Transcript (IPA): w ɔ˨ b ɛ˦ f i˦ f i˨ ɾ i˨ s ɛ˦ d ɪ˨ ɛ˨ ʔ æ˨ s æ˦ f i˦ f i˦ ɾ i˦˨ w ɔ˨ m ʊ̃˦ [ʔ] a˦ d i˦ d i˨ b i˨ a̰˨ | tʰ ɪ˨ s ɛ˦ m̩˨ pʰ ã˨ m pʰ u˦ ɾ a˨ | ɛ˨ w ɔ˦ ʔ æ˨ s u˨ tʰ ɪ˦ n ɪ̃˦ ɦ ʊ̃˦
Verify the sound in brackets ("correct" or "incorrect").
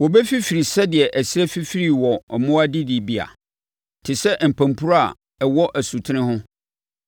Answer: incorrect